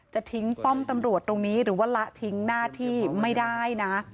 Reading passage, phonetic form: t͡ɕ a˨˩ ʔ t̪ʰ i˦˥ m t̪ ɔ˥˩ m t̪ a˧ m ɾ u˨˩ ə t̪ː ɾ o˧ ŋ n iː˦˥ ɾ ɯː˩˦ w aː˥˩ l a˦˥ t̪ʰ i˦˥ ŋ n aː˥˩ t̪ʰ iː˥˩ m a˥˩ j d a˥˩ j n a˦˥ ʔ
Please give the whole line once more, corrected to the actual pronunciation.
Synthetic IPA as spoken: t͡ɕ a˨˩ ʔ t̪ʰ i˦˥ ŋ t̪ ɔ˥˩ m t̪ a˧ m ɾ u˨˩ ə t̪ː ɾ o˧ ŋ n iː˦˥ ɾ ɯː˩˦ w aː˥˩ l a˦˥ t̪ʰ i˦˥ ŋ n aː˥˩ t̪ʰ iː˥˩ m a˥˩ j d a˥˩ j n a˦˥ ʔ